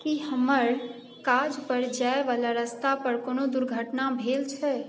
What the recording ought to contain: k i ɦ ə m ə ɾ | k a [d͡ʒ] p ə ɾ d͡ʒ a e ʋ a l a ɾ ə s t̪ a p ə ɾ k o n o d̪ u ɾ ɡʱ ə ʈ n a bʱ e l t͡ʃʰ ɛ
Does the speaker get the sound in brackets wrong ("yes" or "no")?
no